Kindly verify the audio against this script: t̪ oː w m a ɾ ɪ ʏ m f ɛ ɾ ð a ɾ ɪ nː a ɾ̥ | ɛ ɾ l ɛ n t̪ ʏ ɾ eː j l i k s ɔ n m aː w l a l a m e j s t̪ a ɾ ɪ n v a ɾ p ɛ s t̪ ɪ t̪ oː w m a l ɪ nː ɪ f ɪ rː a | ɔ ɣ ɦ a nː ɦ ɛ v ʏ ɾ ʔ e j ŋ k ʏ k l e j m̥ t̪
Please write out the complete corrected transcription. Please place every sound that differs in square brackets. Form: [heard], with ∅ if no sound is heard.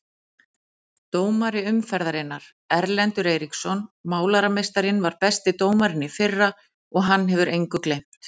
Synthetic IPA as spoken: t̪ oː w m a ɾ ɪ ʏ m f ɛ ɾ ð a ɾ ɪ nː a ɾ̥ | ɛ ɾ l ɛ n t̪ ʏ ɾ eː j [ɾ] i k s ɔ n m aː w l a [ɾ] a m e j s t̪ a ɾ ɪ n v a ɾ p ɛ s t̪ ɪ t̪ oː w m a [ɾ] ɪ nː ɪ f ɪ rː a | ɔ ɣ ɦ a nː ɦ ɛ v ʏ ɾ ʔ e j ŋ k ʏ k l e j m̥ t̪

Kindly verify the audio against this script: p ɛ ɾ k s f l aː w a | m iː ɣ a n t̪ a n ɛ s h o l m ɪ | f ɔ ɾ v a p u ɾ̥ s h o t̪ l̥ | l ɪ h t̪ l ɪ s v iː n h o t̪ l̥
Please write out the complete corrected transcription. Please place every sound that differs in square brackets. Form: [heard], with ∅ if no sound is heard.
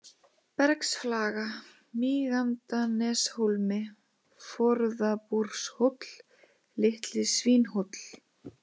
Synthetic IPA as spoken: p ɛ ɾ k s f l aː [ɣ] a | m iː ɣ a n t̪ a n ɛ s h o l m ɪ | f ɔ ɾ [ð] a p u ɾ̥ s h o t̪ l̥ | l ɪ h t̪ l ɪ s v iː n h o t̪ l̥

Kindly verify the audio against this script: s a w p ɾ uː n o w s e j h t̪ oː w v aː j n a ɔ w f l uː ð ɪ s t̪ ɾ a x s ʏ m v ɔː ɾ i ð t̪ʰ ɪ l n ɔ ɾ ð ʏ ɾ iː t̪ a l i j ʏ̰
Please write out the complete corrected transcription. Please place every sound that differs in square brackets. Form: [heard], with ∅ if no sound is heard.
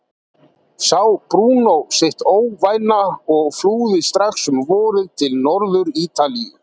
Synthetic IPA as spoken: s a w p ɾ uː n o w s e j h t̪ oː w v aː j n a ɔ [ɣ] f l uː ð ɪ s t̪ ɾ a x s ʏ m v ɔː ɾ [ɪ] ð t̪ʰ ɪ l n ɔ ɾ ð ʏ ɾ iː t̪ a l i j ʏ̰

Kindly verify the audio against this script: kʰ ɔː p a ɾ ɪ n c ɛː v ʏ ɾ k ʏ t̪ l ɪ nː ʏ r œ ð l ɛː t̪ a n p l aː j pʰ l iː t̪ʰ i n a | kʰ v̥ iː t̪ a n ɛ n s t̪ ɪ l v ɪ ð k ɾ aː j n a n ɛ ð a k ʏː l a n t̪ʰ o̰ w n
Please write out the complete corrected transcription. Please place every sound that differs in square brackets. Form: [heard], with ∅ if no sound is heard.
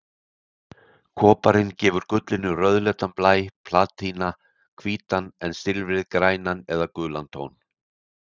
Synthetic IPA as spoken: kʰ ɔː p a ɾ ɪ n c ɛː v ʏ ɾ k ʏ t̪ l ɪ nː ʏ r œ ð l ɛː t̪ a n p l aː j pʰ l [aː] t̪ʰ i n a | kʰ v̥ iː t̪ a n ɛ n s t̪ ɪ l v ɪ ð k ɾ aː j n a n ɛ ð a k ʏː l a n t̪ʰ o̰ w n

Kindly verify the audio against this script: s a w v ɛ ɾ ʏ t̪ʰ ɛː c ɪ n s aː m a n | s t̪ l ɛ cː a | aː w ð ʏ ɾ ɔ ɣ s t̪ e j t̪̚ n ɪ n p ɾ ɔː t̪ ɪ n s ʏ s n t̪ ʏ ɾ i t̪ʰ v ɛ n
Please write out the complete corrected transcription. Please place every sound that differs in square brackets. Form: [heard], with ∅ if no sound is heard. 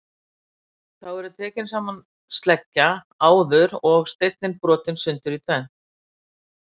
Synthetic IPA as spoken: [θ] a w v ɛ ɾ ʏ t̪ʰ ɛː c ɪ n s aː m a n | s t̪ l ɛ cː a | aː w ð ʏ ɾ ɔ ɣ s t̪ e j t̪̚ n ɪ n p ɾ ɔː t̪ ɪ n s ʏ [∅] n t̪ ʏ ɾ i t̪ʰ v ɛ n

